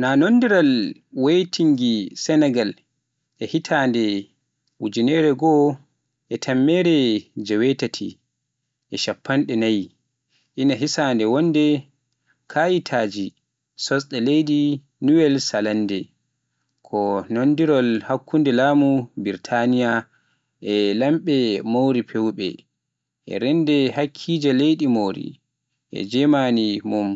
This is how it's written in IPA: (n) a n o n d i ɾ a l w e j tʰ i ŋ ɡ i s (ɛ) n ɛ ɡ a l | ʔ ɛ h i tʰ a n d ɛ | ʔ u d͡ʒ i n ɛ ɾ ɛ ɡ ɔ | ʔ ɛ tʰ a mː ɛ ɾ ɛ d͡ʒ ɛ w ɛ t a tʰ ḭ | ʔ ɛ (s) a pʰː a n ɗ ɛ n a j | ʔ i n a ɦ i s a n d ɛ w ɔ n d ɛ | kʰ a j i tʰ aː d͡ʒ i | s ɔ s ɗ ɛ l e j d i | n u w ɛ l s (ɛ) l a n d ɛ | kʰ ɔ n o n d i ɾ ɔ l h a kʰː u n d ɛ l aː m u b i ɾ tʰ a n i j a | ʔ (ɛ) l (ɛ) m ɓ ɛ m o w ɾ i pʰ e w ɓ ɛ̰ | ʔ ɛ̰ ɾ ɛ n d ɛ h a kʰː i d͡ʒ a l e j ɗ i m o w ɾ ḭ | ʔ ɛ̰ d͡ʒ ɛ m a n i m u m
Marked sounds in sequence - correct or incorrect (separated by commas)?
correct, correct, incorrect, incorrect, correct, incorrect